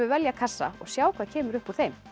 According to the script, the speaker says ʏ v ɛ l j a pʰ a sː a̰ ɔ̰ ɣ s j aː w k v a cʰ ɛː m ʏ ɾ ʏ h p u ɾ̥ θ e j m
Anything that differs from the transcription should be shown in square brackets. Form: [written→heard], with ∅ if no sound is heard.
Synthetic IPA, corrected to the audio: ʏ v ɛ l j a [pʰ→kʰ] a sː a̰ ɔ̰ ɣ s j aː w k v a cʰ ɛː m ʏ ɾ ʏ h p u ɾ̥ θ e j m